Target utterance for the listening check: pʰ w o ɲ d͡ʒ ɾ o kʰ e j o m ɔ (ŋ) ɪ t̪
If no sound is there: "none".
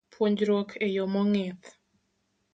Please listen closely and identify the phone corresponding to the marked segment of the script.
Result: ŋ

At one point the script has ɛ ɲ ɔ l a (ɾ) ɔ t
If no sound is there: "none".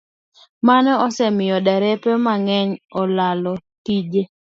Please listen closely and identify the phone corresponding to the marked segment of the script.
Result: l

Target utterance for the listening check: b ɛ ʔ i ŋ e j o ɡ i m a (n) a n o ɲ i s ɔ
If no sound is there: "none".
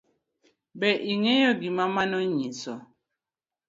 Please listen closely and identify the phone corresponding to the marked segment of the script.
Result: m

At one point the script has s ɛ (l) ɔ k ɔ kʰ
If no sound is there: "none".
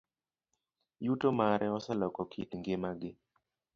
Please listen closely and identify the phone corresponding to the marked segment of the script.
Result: l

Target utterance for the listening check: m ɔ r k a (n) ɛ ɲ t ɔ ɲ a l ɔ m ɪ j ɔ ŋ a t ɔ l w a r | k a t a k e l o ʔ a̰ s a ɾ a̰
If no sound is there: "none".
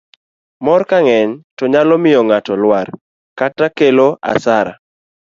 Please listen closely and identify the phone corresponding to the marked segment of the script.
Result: ŋ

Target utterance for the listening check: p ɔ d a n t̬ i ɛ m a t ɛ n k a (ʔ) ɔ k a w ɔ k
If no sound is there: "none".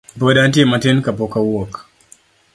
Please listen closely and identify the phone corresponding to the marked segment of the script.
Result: p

